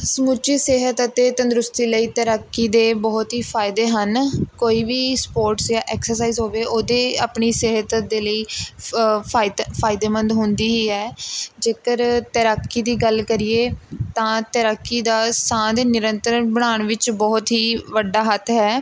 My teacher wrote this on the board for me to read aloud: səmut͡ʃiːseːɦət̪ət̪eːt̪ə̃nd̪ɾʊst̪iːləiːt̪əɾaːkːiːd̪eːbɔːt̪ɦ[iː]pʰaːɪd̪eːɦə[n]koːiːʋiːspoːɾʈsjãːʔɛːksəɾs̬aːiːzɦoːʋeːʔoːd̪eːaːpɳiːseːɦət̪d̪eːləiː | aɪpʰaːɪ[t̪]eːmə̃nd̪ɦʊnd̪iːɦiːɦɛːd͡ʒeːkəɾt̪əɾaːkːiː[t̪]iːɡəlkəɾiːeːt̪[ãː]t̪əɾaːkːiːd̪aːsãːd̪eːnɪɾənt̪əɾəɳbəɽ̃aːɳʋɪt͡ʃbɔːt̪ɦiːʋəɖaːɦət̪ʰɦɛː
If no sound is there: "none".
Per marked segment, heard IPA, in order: iː, n, d̪, d̪, ãː

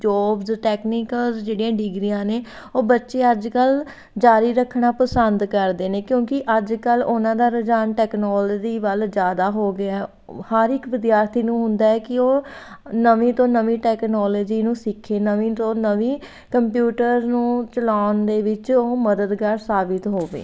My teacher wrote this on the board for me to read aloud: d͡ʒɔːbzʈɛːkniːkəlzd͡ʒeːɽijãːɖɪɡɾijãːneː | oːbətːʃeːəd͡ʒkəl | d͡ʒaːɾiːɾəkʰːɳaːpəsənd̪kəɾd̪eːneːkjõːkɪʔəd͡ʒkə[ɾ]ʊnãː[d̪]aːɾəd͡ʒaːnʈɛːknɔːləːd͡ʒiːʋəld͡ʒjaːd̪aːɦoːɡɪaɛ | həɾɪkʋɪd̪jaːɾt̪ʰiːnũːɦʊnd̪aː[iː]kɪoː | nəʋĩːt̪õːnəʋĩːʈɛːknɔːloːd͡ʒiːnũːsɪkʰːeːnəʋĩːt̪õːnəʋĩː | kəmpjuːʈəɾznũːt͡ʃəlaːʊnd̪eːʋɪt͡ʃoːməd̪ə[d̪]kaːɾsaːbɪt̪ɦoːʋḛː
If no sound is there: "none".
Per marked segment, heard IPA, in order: l, d̪, ɛː, d̪

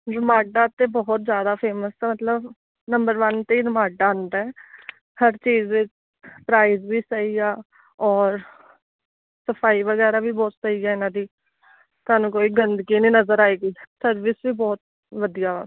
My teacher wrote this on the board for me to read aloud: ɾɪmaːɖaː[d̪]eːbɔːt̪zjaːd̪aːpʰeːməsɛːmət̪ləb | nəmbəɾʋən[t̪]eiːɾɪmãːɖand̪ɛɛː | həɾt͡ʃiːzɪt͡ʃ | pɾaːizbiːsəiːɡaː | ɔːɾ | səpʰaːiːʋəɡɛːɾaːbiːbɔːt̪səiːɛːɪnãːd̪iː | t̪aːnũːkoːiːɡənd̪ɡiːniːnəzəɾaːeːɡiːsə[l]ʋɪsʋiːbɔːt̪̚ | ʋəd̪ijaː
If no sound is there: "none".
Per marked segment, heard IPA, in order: t̪, t̪, ɾ

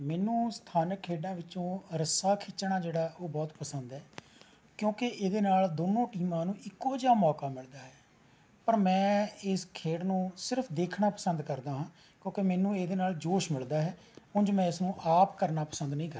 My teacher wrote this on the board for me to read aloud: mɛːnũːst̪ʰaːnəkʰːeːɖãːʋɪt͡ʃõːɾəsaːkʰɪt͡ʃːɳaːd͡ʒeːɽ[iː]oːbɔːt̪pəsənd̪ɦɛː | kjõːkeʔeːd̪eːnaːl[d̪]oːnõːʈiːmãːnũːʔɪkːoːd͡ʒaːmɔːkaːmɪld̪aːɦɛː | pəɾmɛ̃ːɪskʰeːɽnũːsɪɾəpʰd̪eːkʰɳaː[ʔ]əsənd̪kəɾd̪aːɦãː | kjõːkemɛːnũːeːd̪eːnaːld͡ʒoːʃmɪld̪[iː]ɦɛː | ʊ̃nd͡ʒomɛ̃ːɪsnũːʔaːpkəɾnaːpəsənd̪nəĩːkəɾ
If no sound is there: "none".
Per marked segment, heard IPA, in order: aː, d̪, p, aː

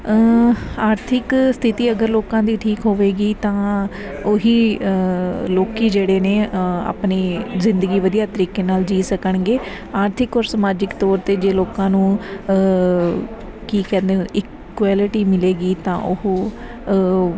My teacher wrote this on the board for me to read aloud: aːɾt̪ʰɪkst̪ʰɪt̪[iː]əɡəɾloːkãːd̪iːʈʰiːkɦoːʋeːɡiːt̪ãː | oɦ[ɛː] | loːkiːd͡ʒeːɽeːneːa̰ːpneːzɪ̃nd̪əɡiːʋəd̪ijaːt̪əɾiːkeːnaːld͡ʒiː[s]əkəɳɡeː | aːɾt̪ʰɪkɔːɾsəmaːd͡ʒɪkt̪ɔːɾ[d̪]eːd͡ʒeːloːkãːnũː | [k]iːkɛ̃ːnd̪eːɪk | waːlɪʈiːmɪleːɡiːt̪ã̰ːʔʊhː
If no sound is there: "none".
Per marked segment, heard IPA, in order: iː, iː, s, t̪, k

